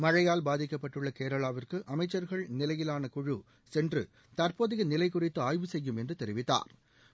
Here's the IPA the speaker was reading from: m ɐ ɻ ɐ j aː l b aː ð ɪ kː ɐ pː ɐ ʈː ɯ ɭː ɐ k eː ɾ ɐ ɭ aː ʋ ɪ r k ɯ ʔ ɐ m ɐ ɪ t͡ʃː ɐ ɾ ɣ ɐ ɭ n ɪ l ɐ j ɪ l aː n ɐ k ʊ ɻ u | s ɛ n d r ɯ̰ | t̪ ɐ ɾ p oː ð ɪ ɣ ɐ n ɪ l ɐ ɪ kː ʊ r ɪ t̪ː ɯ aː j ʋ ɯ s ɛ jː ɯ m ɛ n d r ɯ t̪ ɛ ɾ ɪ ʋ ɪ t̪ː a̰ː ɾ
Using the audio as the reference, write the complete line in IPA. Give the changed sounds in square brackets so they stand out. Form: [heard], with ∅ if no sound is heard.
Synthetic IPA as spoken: m ɐ ɻ ɐ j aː l b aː ð ɪ kː ɐ pː ɐ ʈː ɯ ɭː ɐ k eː ɾ ɐ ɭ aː ʋ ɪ r k ɯ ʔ ɐ m ɐ ɪ t͡ʃː ɐ ɾ ɣ ɐ ɭ n ɪ l ɐ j ɪ l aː n ɐ k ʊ ɻ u | s ɛ n d r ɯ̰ | t̪ ɐ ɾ p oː ð ɪ ɣ ɐ n ɪ l ɐ ɪ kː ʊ r ɪ t̪ː ɯ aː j ʋ ɯ s ɛ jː ɯ m ɛ n d r ɯ t̪ ɛ ɾ ɪ ʋ ɪ t̪ː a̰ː ɾ